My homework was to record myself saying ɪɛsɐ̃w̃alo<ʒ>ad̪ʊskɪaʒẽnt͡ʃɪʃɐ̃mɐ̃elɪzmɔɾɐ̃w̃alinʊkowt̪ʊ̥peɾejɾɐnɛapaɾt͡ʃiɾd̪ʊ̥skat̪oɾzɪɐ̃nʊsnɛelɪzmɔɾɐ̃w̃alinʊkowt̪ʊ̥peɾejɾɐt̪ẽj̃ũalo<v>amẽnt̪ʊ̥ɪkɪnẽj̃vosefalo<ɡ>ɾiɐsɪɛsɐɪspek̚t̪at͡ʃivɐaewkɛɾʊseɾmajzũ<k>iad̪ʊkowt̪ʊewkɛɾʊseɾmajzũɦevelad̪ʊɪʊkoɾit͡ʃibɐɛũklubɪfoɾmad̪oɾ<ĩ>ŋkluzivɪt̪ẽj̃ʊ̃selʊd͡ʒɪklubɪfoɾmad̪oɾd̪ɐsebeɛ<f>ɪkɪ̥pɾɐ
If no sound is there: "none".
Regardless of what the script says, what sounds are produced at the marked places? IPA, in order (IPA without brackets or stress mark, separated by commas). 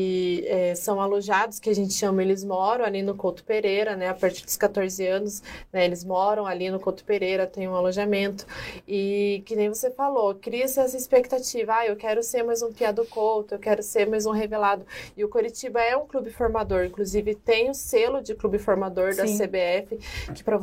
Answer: ʒ, ʒ, k, p, ĩ, f